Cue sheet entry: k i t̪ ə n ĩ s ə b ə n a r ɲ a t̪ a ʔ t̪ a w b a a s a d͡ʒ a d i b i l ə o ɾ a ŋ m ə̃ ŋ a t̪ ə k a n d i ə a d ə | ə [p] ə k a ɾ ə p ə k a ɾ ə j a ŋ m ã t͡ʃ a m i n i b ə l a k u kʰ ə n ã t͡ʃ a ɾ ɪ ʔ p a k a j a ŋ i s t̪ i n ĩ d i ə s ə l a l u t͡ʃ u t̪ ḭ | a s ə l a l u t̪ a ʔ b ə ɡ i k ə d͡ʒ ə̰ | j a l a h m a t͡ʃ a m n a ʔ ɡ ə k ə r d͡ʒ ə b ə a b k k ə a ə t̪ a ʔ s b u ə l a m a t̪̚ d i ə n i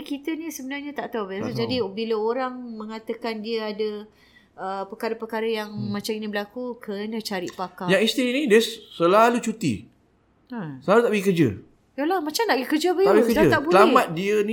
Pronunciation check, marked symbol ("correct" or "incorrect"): correct